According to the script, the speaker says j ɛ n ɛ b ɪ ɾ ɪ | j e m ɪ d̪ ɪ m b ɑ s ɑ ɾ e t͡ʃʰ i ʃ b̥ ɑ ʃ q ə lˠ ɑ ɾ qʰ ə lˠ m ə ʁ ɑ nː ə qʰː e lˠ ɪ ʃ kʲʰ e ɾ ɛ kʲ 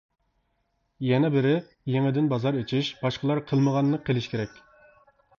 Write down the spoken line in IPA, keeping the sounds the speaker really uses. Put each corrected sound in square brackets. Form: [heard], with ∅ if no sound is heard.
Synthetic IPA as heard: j ɛ n ɛ b ɪ ɾ ɪ | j e [ŋ] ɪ d̪ ɪ [n] b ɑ [z] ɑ ɾ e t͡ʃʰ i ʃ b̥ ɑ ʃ q ə lˠ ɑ ɾ qʰ ə lˠ m ə ʁ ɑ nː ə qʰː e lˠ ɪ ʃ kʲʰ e ɾ ɛ kʲ